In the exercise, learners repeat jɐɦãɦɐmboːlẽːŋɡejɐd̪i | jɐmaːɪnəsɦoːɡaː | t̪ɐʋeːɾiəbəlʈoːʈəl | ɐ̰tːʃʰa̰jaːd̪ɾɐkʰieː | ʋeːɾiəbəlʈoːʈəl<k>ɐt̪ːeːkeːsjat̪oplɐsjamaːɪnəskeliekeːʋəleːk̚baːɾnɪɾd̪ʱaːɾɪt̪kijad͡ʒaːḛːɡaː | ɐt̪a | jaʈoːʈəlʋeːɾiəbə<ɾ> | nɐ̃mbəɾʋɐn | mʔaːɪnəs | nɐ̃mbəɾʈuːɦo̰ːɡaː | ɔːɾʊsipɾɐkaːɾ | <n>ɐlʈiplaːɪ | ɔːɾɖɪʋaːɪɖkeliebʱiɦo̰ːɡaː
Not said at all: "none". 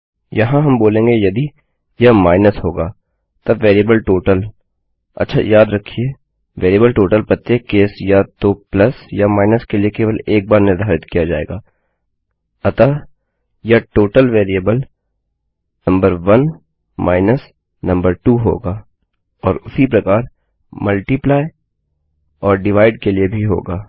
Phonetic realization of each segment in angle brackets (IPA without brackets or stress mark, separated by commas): p, l, m